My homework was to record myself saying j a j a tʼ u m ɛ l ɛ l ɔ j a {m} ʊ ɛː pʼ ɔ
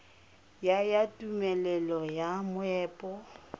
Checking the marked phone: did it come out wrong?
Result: no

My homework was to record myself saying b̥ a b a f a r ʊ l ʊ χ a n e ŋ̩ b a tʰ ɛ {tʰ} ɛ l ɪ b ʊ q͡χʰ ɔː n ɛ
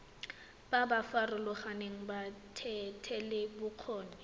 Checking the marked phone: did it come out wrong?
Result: no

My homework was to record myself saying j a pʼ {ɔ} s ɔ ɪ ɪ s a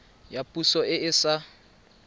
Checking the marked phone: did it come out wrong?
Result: yes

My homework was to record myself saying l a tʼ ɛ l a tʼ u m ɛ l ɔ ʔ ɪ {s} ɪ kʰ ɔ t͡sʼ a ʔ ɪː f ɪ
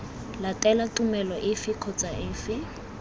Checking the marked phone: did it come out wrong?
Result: yes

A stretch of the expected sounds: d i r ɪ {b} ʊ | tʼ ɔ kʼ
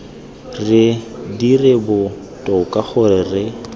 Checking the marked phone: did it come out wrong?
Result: no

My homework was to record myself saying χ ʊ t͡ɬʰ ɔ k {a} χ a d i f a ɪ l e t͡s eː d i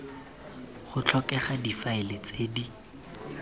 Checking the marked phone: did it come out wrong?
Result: yes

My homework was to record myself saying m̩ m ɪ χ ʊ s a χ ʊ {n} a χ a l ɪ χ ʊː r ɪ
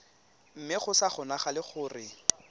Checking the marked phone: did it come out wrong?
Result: no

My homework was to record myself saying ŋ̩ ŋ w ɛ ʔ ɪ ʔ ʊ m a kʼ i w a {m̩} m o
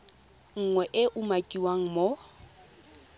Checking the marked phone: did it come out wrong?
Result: yes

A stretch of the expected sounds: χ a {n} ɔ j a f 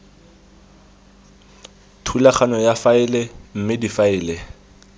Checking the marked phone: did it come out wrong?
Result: no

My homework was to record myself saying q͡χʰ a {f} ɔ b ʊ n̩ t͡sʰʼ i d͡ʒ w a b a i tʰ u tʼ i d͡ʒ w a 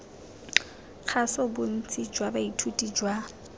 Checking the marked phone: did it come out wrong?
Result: yes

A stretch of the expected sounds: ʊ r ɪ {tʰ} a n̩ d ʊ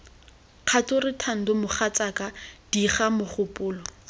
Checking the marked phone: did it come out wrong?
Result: no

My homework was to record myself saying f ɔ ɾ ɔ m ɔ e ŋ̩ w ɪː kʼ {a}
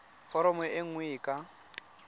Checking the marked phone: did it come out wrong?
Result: no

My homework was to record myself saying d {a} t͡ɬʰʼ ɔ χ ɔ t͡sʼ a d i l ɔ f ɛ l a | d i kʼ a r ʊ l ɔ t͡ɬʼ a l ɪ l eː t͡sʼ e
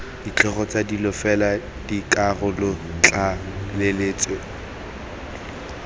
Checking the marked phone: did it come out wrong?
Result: yes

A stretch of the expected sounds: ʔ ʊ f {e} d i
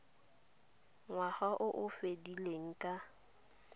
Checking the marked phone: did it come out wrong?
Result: no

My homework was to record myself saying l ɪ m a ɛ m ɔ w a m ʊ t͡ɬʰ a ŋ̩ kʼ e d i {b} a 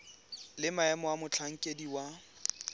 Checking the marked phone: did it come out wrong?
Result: yes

